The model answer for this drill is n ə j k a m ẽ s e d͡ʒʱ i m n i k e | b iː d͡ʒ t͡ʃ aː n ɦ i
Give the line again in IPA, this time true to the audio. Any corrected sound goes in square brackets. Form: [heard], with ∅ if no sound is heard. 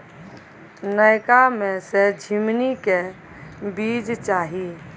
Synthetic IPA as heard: n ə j k a m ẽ s e d͡ʒʱ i m n i k e | b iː d͡ʒ t͡ʃ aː [∅] ɦ i